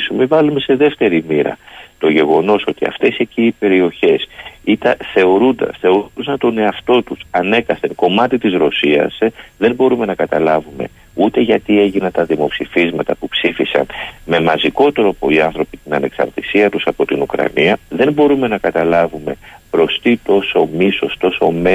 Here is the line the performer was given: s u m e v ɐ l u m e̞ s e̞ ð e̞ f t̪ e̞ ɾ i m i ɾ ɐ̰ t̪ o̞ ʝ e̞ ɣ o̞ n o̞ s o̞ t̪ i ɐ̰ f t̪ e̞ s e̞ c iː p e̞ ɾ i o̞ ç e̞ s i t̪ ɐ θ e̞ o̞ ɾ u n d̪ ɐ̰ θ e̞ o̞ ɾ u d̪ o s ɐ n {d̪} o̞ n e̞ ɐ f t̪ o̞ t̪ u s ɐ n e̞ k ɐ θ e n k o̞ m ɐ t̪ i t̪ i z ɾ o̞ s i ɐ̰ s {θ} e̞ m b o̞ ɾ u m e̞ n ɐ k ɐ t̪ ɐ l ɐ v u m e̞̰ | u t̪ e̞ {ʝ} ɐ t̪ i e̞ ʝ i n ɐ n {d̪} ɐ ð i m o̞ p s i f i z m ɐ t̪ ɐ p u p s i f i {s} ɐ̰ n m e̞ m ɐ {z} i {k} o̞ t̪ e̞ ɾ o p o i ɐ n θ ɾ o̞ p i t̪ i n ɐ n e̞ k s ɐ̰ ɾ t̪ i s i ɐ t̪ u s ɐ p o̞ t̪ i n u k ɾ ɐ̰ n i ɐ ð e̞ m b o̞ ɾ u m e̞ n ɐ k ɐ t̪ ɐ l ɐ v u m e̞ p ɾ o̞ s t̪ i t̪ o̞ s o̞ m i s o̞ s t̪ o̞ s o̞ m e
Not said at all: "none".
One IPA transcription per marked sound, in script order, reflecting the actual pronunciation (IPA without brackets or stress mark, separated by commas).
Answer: t̪, ð, ʝ, t̪, s, z, k